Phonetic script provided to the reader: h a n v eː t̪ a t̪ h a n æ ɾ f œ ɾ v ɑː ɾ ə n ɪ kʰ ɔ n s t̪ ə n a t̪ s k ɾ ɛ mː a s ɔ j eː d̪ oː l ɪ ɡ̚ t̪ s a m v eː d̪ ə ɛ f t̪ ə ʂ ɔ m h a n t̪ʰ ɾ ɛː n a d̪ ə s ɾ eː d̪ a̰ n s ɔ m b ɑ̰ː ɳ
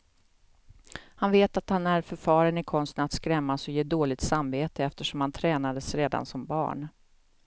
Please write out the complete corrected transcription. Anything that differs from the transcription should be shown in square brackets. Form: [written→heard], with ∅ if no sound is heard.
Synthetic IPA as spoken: h a n v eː t̪ a t̪ h a n æ ɾ f œ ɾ [v→f] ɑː ɾ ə n ɪ kʰ ɔ n s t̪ ə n a t̪ s k ɾ ɛ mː a s ɔ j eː d̪ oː l ɪ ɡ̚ t̪ s a m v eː [d̪→t̪] ə ɛ f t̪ ə ʂ ɔ m h a n t̪ʰ ɾ ɛː n a d̪ ə s ɾ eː d̪ a̰ n s ɔ m b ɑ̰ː ɳ

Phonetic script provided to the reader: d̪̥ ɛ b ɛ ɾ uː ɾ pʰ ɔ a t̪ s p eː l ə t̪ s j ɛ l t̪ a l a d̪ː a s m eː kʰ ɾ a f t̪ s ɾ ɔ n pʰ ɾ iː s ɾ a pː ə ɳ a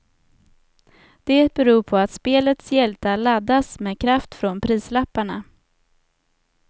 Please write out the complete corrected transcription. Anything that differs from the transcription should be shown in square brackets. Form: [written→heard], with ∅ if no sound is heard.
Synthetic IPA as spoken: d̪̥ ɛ b ɛ ɾ uː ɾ pʰ ɔ a t̪ s p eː l ə t̪ s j ɛ l t̪ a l a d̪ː a s m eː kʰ ɾ a f t̪ [s→f] ɾ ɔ n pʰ ɾ iː s [ɾ→l] a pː [ə→a] ɳ a

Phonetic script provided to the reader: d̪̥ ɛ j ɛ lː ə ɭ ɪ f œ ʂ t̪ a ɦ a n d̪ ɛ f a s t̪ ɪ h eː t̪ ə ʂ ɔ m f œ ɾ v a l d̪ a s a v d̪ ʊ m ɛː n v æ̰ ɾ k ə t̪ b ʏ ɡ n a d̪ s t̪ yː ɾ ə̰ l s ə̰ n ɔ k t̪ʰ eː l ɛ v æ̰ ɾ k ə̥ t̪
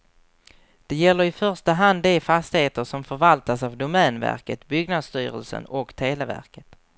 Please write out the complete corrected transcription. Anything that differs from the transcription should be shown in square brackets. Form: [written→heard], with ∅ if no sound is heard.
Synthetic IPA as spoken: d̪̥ ɛ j ɛ lː ə [ɭ→ɾ] ɪ f œ ʂ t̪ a ɦ a n d̪ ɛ f a s t̪ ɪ h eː t̪ ə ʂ ɔ m f œ ɾ v a l [d̪→t̪] a s a v d̪ ʊ m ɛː n v æ̰ ɾ k ə t̪ b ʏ ɡ n a d̪ s t̪ yː ɾ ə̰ l s ə̰ n ɔ k t̪ʰ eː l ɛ v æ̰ ɾ k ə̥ t̪

